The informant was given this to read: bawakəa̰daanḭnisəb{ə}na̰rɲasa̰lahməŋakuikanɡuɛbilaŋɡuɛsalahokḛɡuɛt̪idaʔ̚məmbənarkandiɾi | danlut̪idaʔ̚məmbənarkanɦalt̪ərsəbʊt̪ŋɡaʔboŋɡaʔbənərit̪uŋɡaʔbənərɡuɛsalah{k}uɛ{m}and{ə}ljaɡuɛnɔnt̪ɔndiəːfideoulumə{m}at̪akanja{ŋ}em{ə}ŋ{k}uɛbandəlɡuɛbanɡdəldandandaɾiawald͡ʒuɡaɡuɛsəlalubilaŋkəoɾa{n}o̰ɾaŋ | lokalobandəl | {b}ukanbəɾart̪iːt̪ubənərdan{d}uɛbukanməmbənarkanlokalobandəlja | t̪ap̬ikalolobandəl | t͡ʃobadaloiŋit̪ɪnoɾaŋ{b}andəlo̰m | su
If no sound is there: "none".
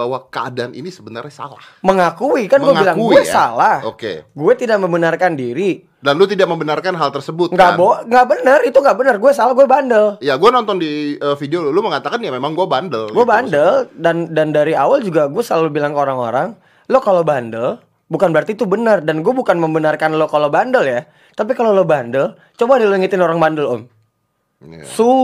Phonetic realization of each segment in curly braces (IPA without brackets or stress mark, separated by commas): ə, ɡ, b, ə, ŋ, m, a, ɡ, ŋ, b, ɡ, b